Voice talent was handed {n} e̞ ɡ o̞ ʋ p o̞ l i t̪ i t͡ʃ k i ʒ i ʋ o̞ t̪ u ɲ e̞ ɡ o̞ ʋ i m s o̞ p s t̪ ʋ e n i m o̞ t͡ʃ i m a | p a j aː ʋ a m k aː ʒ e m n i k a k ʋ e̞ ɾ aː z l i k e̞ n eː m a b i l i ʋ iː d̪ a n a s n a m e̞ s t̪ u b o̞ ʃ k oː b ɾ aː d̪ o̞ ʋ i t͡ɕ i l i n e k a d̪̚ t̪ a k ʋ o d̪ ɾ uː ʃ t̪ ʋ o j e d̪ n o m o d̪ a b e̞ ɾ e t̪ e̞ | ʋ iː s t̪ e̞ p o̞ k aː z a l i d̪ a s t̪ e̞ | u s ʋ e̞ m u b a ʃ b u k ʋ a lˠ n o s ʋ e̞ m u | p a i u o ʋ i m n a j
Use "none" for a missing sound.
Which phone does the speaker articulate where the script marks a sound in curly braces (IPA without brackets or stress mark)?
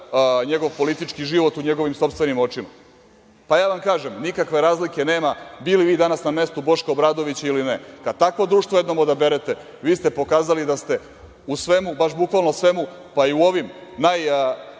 ɲ